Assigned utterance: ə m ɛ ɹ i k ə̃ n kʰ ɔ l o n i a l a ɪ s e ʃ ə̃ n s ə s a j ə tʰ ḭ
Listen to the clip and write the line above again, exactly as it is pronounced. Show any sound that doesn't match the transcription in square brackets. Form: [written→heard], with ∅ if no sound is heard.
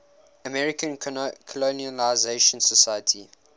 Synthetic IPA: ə m ɛ ɹ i k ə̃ n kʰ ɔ l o n i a l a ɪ [s→z] e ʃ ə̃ n s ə s a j ə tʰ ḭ